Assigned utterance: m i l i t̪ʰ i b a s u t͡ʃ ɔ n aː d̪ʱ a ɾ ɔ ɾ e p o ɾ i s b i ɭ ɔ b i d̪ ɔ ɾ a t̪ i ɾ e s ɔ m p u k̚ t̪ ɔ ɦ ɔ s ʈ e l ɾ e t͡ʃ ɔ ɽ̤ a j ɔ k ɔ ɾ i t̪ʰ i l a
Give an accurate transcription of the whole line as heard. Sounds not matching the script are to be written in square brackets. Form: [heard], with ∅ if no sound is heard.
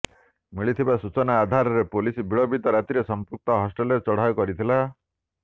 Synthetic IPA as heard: m i [ɭ] i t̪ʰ i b a s u t͡ʃ ɔ n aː d̪ʱ a ɾ ɔ ɾ e p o [l] i s b i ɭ ɔ b i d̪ ɔ ɾ a t̪ i ɾ e s ɔ m p u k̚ t̪ ɔ ɦ ɔ s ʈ e l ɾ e t͡ʃ ɔ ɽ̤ a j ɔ k ɔ ɾ i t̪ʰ i l a

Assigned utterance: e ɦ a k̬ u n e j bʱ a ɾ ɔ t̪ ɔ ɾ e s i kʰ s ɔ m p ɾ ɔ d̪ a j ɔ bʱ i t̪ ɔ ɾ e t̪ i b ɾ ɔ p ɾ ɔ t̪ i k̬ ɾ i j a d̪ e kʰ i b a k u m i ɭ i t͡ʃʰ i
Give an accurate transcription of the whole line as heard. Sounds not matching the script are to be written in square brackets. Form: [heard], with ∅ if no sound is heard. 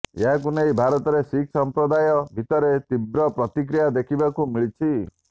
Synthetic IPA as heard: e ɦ a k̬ u n e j bʱ a ɾ ɔ t̪ ɔ ɾ e s i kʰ s ɔ m p ɾ ɔ d̪ a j ɔ bʱ i t̪ ɔ ɾ e t̪ i b ɾ ɔ p ɾ ɔ t̪ i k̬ ɾ i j a d̪ e kʰ i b a k u m i ɭ i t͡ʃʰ i

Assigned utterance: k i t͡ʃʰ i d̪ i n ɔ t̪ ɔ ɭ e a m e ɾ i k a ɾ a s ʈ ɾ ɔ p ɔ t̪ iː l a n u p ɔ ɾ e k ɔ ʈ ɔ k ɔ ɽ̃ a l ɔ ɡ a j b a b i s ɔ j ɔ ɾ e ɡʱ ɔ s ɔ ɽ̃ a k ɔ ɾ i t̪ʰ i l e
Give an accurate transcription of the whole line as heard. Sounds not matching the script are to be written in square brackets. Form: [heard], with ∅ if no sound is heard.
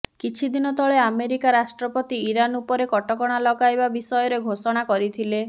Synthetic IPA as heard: k i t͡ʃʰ i d̪ i n ɔ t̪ ɔ ɭ e a m e ɾ i k a ɾ a s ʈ ɾ ɔ p ɔ t̪ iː [ɾ] a n u p ɔ ɾ e k ɔ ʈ ɔ k ɔ ɽ̃ a l ɔ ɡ a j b a b i s ɔ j ɔ ɾ e ɡʱ [o] s ɔ ɽ̃ a k ɔ ɾ i t̪ʰ i l e

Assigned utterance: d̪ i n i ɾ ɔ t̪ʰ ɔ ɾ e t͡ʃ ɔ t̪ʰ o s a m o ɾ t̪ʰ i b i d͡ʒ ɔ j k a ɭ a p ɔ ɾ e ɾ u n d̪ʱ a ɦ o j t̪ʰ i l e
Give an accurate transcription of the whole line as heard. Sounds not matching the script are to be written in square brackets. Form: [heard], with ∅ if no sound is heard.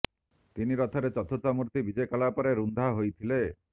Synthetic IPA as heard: [t̪] i n i ɾ ɔ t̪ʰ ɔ ɾ e t͡ʃ ɔ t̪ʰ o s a m [u] ɾ [t̪] i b i d͡ʒ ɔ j k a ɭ a p ɔ ɾ e ɾ u n d̪ʱ a ɦ o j t̪ʰ i l e

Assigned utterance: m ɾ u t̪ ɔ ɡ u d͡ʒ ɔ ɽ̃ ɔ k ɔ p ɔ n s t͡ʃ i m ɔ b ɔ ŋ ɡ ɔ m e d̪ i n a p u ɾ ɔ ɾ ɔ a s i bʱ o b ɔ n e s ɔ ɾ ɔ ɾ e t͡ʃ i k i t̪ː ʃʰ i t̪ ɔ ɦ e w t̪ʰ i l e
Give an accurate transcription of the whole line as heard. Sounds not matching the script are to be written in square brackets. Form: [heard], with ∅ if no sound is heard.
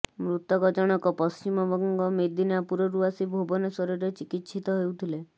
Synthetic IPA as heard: m ɾ u t̪ ɔ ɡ [ɔ] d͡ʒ ɔ ɽ̃ ɔ k ɔ p ɔ [∅] s t͡ʃ i m ɔ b ɔ ŋ ɡ ɔ m e d̪ i n a p u ɾ ɔ ɾ [u] a s i bʱ o b ɔ n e s ɔ ɾ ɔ ɾ e t͡ʃ i k i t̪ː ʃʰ i t̪ ɔ ɦ e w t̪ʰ i l e

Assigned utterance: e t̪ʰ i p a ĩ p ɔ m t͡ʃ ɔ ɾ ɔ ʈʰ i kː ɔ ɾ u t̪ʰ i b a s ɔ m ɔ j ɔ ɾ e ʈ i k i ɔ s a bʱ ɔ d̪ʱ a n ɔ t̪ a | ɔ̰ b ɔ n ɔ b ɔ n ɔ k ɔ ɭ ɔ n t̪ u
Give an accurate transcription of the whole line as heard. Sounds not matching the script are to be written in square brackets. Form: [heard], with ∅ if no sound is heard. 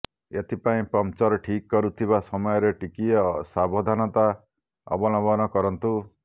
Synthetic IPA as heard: e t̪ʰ i p a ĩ p ɔ m t͡ʃ ɔ ɾ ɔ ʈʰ i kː ɔ ɾ u t̪ʰ i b a s ɔ m ɔ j ɔ ɾ e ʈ i k i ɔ s a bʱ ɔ d̪ʱ a n ɔ t̪ a | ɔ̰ b ɔ n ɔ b ɔ n ɔ k ɔ [ɾ] ɔ n t̪ u

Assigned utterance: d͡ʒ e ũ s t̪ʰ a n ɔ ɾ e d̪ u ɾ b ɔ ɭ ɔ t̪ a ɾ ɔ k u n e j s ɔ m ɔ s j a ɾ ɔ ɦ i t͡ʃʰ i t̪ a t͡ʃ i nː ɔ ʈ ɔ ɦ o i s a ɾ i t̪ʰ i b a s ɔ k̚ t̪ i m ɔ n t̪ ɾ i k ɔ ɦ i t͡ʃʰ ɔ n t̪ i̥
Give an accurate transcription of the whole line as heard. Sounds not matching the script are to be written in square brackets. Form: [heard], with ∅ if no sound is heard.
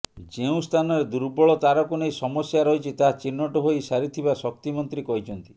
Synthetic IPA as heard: d͡ʒ e ũ s t̪ʰ a n ɔ ɾ e d̪ u ɾ b ɔ ɭ ɔ t̪ a ɾ ɔ k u n e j s ɔ m ɔ s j a ɾ ɔ ɦ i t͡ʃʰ i t̪ a t͡ʃ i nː ɔ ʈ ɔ ɦ o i s a ɾ i t̪ʰ i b a s ɔ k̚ t̪ i m ɔ n t̪ ɾ i k ɔ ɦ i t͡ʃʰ ɔ n t̪ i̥

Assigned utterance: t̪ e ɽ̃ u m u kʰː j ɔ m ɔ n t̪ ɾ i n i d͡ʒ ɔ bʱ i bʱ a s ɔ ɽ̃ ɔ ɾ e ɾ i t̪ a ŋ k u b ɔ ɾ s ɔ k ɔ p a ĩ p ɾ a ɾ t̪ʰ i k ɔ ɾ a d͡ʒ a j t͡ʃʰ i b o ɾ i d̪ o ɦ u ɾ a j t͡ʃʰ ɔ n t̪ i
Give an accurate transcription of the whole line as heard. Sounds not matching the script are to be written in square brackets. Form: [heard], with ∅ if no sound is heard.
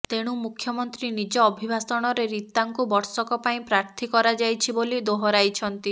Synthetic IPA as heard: t̪ e ɽ̃ u m u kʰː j ɔ m ɔ n t̪ ɾ i n i d͡ʒ [ɔː] bʱ i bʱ a s ɔ ɽ̃ ɔ ɾ e ɾ i t̪ a ŋ k u b ɔ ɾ s ɔ k ɔ p a ĩ p ɾ a ɾ t̪ʰ i k ɔ ɾ a d͡ʒ a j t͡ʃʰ i b o [l] i d̪ o ɦ [ɔ] ɾ a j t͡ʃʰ ɔ n t̪ i

